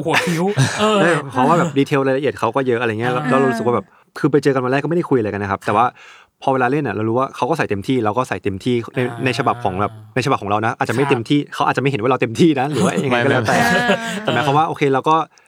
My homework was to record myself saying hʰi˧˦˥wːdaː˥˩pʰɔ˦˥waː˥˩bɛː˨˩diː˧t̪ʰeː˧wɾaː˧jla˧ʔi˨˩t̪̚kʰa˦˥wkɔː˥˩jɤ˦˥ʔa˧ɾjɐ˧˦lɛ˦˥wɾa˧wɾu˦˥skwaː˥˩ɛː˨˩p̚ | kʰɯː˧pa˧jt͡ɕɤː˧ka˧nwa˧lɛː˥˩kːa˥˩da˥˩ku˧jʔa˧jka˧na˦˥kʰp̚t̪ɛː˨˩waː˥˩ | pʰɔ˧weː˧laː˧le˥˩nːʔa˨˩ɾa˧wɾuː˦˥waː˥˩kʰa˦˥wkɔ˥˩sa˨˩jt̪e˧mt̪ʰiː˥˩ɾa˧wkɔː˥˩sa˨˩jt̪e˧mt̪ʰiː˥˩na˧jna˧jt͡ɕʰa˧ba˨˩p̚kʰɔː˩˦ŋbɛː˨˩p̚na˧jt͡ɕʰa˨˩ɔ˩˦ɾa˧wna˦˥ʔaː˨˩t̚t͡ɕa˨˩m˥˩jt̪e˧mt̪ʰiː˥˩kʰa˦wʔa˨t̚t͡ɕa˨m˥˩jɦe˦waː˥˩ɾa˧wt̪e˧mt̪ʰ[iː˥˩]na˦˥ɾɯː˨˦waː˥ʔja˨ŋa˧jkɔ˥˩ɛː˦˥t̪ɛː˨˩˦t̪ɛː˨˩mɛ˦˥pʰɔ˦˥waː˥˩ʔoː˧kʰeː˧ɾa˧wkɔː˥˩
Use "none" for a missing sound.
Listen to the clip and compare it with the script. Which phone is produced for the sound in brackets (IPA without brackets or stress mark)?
iː˥˩